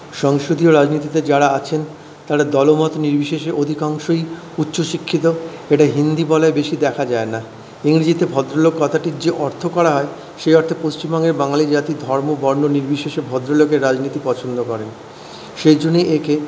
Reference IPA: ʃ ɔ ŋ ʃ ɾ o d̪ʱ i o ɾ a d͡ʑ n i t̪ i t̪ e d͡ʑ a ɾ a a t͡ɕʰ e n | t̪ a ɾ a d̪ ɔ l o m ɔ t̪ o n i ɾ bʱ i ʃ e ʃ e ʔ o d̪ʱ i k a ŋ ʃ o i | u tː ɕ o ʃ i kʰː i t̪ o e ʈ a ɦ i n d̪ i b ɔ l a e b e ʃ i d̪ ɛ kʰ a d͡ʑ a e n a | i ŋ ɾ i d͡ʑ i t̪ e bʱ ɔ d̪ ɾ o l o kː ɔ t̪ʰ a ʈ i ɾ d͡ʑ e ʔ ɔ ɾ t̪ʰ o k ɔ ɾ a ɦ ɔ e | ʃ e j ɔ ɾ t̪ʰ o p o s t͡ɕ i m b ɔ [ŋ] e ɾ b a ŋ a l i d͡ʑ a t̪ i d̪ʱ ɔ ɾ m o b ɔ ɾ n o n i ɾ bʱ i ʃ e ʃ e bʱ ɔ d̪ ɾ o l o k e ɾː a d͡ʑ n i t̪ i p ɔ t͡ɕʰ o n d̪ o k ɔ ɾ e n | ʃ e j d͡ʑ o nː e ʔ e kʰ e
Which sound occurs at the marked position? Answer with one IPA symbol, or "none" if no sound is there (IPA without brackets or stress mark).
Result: ŋ